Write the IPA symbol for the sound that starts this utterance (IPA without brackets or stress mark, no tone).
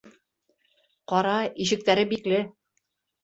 q